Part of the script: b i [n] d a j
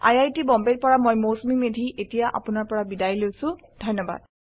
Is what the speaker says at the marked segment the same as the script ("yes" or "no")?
no